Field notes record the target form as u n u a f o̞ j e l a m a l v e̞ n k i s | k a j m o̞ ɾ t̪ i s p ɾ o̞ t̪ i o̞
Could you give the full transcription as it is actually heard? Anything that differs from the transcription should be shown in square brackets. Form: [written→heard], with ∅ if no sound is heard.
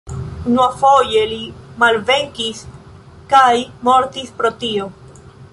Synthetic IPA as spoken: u n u a f o̞ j e l [a→i] m a l v e̞ [n→ŋ] k i s | k a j m o̞ ɾ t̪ i s p ɾ o̞ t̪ i o̞